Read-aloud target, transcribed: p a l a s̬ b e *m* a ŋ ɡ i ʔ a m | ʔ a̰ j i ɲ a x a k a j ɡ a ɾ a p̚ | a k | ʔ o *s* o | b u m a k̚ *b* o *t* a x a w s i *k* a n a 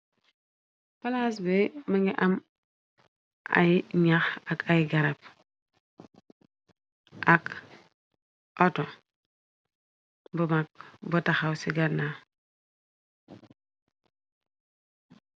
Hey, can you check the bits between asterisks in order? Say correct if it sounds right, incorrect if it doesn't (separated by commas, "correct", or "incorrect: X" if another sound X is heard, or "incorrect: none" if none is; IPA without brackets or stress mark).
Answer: correct, incorrect: t, correct, correct, incorrect: ɡ